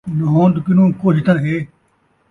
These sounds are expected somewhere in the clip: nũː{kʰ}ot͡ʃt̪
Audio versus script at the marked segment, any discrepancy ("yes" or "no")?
yes